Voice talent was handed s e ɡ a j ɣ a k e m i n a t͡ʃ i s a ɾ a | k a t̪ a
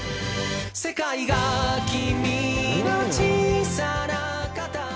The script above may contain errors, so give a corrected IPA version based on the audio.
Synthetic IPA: s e k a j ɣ a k i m i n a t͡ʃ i s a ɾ a | k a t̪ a